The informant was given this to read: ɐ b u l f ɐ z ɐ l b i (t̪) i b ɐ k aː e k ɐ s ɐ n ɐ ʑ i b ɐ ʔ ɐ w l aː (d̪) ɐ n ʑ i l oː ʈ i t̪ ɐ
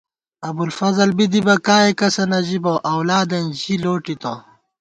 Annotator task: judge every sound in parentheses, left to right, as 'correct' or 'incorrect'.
incorrect: d̪, correct

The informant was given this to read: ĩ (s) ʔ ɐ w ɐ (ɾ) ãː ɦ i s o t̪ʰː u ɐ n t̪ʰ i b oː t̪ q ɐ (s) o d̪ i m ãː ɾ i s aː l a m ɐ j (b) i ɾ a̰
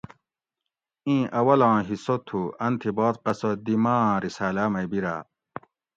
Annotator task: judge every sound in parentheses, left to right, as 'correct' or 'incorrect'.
incorrect: none, incorrect: l, correct, correct

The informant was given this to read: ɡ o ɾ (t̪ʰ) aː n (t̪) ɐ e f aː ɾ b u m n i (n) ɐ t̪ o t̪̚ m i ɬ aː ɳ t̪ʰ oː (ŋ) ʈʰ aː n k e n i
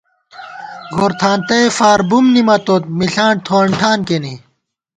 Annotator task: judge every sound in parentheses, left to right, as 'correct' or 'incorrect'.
correct, correct, incorrect: m, incorrect: ɳ

